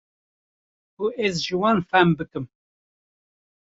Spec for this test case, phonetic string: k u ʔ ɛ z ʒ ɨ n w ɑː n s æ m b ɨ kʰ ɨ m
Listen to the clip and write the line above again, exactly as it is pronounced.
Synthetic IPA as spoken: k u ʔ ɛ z ʒ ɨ w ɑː n f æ m b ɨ k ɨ m